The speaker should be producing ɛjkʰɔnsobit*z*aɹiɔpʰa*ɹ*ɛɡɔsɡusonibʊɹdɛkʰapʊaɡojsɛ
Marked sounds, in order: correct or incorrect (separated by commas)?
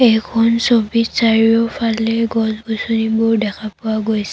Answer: incorrect, incorrect